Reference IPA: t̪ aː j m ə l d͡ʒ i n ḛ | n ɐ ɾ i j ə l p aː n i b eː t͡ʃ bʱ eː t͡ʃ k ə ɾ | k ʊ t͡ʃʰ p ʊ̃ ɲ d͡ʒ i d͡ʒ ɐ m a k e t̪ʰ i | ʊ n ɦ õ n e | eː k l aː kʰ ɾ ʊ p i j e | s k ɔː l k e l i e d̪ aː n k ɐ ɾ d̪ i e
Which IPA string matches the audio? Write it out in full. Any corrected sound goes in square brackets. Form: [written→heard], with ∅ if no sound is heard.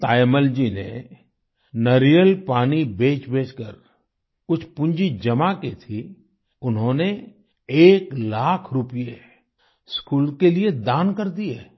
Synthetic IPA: t̪ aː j m ə l d͡ʒ i n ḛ | n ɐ ɾ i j ə l p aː n i b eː t͡ʃ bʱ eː t͡ʃ k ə ɾ | k ʊ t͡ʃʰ p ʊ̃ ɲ d͡ʒ i d͡ʒ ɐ m a k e t̪ʰ i | ʊ n ɦ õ n e | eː k l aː kʰ ɾ ʊ p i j e | s k [ɔː→uː] l k e l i e d̪ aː n k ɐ ɾ d̪ i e

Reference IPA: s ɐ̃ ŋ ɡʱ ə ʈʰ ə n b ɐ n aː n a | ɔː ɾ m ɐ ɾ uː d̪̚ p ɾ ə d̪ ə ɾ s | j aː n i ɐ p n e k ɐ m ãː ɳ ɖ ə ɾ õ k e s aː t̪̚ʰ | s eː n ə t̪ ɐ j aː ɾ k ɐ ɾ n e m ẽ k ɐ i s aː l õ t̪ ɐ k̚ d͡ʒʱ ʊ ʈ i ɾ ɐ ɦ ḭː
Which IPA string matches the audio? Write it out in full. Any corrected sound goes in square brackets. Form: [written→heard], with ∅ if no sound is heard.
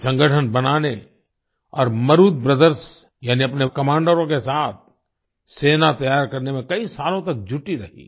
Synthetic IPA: s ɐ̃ ŋ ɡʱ ə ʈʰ ə n b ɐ n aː n [a→e] | ɔː ɾ m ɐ ɾ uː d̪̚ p ɾ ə d̪ ə ɾ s | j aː n i ɐ p n e k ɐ m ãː ɳ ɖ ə ɾ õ k e s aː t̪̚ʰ | s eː n [ə→a] t̪ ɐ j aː ɾ k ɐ ɾ n e m ẽ k ɐ i s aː l õ t̪ ɐ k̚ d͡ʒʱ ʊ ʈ i ɾ ɐ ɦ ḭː

